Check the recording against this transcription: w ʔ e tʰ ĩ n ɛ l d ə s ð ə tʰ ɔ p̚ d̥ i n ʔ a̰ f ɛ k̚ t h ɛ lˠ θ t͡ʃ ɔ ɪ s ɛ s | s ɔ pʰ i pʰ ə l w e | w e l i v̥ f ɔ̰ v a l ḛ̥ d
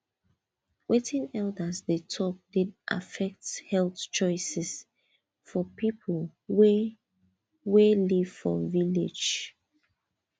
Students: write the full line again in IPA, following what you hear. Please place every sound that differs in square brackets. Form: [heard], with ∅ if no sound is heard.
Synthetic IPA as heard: w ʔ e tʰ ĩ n ɛ l d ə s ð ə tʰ ɔ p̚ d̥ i [d] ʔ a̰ f ɛ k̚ t h ɛ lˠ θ t͡ʃ ɔ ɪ s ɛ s | [f] ɔ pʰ i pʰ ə l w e | w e l i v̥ f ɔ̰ v [i] l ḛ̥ [d͡ʒ]